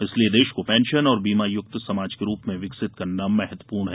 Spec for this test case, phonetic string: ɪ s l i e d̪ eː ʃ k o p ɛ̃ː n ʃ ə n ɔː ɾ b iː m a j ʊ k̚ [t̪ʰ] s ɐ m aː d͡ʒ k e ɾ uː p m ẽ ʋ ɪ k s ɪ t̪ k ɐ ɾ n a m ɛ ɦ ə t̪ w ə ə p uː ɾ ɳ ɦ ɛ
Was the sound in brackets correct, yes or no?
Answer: no